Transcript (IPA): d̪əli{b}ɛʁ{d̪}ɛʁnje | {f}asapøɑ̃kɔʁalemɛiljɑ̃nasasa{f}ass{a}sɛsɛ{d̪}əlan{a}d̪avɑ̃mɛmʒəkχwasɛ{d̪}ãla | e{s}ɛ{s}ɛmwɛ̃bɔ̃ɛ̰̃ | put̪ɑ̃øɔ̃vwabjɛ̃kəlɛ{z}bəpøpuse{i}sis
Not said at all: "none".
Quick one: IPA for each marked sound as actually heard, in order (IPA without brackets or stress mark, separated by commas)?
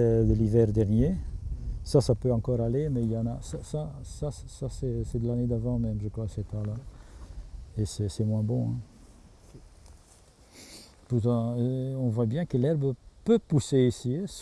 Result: v, d̪, s, s, a, d̪, e, t̪, s, s, ʁ, i